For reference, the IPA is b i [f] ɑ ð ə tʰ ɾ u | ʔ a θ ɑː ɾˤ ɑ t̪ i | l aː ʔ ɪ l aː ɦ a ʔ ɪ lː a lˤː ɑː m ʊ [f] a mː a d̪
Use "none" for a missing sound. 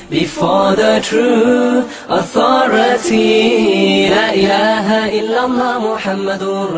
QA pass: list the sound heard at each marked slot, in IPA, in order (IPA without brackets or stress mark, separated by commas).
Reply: f, ħ